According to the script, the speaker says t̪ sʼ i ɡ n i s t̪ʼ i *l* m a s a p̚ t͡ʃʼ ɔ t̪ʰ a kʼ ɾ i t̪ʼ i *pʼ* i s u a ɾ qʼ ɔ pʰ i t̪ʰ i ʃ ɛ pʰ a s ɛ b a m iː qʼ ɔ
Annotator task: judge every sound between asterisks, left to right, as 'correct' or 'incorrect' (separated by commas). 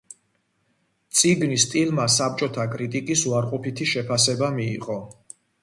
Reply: correct, incorrect